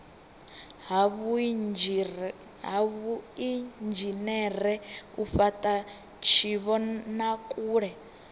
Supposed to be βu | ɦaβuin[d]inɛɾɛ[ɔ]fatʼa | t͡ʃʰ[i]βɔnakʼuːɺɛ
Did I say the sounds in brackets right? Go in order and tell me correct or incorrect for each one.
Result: incorrect: d͡ʒ, incorrect: u, correct

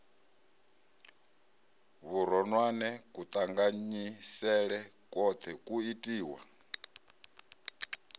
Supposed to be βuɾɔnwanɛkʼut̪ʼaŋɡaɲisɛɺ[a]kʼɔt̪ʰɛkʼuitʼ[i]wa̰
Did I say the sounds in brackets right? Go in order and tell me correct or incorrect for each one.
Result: incorrect: ɛ, incorrect: iː

